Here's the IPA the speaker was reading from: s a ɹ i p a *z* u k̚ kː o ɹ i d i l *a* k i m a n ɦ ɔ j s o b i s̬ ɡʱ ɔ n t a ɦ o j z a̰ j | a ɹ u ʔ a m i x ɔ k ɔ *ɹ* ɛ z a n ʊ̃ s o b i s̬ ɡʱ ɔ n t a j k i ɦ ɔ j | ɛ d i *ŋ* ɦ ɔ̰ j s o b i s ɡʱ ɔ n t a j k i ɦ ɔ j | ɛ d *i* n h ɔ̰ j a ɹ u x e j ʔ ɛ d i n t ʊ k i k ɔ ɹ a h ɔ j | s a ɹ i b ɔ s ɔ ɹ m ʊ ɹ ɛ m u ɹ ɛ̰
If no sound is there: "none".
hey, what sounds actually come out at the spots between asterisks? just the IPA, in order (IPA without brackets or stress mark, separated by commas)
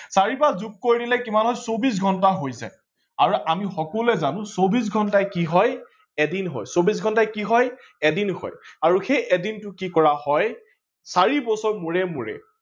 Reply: z, ɛ, l, n, i